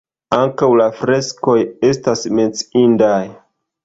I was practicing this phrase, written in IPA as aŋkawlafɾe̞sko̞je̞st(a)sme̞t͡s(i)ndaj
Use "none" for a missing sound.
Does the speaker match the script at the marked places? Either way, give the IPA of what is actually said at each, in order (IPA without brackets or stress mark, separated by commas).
a, i